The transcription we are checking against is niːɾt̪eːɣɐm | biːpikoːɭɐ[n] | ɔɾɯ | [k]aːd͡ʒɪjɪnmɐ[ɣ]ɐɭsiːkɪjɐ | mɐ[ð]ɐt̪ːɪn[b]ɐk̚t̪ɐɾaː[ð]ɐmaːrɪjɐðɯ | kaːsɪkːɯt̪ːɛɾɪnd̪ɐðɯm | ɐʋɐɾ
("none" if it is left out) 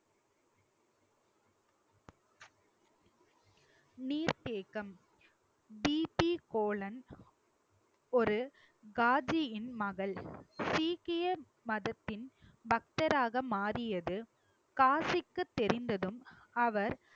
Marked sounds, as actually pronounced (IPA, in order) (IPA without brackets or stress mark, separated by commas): n, ɡ, ɣ, ð, b, ɣ